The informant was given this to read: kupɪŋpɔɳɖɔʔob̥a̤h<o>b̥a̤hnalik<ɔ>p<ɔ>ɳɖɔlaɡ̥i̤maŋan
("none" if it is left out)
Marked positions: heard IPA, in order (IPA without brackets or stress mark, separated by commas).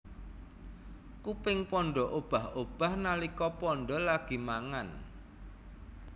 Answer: o, ɔ, ɔ